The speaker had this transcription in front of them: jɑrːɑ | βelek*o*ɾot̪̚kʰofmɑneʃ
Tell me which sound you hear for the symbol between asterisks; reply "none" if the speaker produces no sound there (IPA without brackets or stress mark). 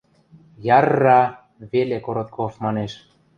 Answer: o